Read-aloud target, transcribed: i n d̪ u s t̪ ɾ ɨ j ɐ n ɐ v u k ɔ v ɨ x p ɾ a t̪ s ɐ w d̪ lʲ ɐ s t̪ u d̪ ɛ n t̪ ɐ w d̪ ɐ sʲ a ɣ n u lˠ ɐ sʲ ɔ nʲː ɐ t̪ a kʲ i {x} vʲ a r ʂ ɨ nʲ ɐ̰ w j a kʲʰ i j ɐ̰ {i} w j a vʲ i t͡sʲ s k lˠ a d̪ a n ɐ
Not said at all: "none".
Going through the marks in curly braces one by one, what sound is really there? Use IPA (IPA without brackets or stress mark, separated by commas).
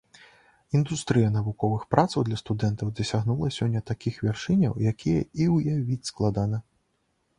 x, i